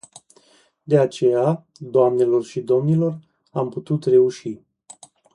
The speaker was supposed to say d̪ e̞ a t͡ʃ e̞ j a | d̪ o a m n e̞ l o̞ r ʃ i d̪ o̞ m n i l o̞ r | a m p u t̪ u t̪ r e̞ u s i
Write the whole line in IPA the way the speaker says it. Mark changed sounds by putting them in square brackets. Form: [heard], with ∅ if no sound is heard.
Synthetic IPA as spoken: d̪ e̞ a t͡ʃ e̞ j a | d̪ o a m n e̞ l o̞ r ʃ i d̪ o̞ m n i l o̞ r | a m p u t̪ u t̪ r e̞ u [ʃ] i

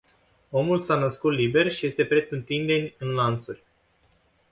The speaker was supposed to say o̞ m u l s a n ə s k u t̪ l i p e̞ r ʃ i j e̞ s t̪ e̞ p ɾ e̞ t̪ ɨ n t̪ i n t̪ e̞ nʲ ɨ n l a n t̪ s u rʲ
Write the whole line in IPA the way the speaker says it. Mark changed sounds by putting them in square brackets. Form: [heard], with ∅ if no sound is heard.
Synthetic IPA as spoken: o̞ m u l s a n ə s k u t̪ l i [b] e̞ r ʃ i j e̞ s t̪ e̞ p ɾ e̞ t̪ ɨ n t̪ i n [d̪] e̞ nʲ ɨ n l a n t̪ s u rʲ

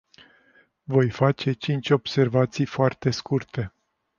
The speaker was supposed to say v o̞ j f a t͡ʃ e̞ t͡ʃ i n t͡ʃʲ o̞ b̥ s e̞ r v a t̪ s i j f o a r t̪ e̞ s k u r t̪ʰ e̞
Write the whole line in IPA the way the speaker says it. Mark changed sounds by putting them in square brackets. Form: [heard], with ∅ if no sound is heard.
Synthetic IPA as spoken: v o̞ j f a t͡ʃ e̞ t͡ʃ i n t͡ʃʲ o̞ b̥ s e̞ r v a t̪ s i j f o a r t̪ e̞ s k u r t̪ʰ e̞

